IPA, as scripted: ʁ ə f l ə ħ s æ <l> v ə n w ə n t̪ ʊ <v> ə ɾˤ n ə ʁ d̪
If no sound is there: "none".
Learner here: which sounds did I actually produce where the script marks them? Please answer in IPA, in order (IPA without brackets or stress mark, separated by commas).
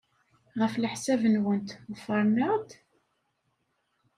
none, f